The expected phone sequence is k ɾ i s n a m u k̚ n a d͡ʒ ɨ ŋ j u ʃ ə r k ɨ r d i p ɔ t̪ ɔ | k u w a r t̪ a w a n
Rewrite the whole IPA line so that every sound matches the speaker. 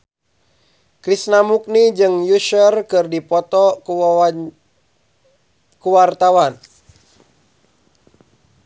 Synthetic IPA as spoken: k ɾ i s n a m u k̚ n i d͡ʒ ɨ ŋ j u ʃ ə r k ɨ r d i p ɔ t̪ ɔ | k u w a r t̪ a w a n